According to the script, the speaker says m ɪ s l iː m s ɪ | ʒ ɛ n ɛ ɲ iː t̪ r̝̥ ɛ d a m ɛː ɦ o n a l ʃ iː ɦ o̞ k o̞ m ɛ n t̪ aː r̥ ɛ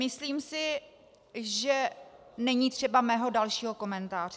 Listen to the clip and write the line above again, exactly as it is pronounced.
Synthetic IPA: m ɪ s l iː m s ɪ | ʒ ɛ n ɛ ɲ iː t̪ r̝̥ ɛ b a m ɛː ɦ o d a l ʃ iː ɦ o̞ k o̞ m ɛ n t̪ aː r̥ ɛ